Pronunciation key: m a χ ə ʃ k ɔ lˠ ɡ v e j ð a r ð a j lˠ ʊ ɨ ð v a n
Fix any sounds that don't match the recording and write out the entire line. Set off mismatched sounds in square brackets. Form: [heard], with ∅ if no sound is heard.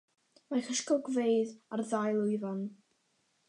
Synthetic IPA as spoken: m a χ ə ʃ k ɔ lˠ ɡ v e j ð a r ð a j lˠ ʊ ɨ [∅] v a n